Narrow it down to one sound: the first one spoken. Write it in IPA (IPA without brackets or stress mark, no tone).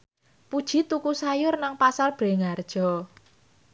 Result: p